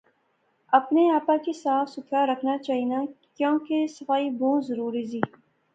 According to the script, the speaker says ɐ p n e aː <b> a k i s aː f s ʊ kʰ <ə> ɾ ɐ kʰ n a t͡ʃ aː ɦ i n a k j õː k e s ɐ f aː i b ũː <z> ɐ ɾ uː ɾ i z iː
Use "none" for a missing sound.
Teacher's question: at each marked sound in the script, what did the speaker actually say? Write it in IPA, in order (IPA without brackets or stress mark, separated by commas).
p, a, z